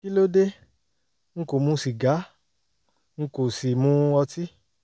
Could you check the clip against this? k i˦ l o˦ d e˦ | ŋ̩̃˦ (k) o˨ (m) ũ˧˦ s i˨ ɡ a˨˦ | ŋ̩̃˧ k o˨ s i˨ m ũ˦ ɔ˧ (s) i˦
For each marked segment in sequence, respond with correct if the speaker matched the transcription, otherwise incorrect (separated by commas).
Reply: correct, correct, incorrect